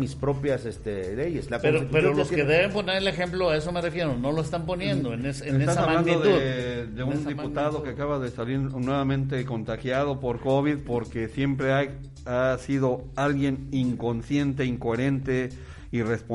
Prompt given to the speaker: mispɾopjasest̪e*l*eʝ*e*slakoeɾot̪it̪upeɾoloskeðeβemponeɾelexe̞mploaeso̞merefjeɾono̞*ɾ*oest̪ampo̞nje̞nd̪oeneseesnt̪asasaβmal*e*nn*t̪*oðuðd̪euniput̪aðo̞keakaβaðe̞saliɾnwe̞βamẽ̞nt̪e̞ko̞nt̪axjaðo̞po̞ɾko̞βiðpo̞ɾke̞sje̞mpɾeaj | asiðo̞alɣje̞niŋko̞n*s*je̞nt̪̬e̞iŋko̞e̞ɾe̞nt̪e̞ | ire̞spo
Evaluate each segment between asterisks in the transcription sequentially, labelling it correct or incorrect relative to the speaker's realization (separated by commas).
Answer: correct, correct, incorrect, incorrect, incorrect, correct